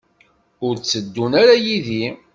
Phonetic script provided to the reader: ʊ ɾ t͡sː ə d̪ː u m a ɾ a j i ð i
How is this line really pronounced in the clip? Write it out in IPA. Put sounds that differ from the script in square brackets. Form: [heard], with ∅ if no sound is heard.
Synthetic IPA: ʊ ɾ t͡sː ə d̪ː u [n] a ɾ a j i ð i